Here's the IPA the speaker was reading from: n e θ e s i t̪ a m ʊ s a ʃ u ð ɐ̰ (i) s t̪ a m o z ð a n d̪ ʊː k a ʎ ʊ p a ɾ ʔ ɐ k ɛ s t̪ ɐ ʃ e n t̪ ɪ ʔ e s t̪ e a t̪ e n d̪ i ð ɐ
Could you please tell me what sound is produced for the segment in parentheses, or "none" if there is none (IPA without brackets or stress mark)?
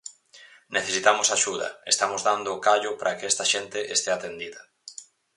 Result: e